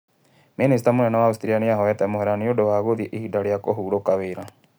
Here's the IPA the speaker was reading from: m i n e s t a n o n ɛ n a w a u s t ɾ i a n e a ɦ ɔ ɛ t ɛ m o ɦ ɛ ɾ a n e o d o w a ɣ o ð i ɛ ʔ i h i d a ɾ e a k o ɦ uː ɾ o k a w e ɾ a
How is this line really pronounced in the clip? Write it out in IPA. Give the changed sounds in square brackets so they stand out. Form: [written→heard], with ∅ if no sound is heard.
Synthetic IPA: m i n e s t a [n→m] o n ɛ n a w a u s t ɾ i a n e a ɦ ɔ ɛ t ɛ m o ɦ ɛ ɾ a n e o d o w a ɣ o ð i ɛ ʔ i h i d a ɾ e a k o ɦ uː ɾ o k a w e ɾ a